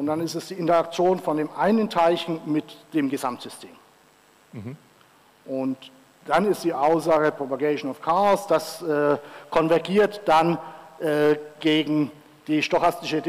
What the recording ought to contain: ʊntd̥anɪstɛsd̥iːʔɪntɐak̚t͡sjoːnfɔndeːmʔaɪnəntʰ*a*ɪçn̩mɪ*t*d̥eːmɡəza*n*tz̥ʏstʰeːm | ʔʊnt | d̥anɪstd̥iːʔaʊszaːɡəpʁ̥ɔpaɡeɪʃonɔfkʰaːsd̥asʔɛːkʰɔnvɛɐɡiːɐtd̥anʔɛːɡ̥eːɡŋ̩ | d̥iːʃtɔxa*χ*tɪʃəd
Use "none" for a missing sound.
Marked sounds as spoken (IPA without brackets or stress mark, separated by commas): a, t, m, s